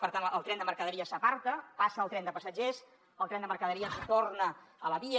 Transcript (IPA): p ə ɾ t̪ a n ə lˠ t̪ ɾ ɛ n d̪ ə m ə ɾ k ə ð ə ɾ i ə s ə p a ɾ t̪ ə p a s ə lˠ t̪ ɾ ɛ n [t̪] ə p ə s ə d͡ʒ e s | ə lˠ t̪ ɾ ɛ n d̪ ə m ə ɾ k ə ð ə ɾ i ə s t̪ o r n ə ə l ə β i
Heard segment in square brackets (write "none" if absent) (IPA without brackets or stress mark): d̪